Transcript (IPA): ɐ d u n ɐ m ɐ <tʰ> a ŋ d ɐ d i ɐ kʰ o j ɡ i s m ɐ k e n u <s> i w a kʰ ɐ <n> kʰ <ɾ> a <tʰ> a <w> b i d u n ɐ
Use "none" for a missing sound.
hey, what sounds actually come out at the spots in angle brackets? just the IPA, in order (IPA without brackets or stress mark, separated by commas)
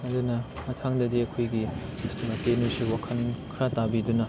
tʰ, s, n, ɾ, t, none